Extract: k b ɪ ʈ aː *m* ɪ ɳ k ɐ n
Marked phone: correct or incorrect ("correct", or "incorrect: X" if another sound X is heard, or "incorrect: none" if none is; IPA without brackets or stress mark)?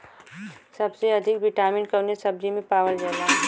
correct